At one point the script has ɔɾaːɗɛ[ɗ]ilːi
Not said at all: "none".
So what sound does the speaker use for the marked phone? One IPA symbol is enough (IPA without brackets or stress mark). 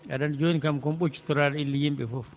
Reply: none